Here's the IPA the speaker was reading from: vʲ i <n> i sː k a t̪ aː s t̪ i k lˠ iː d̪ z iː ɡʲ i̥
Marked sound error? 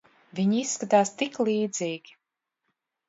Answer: yes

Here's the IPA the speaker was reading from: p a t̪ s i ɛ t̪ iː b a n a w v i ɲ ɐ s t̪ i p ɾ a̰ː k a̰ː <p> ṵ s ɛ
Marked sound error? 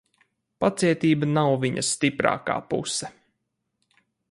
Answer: no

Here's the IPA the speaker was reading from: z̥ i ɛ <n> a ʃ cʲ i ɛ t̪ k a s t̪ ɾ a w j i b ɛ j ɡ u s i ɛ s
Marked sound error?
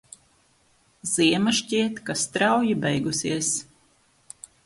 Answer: yes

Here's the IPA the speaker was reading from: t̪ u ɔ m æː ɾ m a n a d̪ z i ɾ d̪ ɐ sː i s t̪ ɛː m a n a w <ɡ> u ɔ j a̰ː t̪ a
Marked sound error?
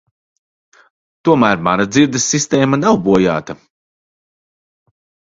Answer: yes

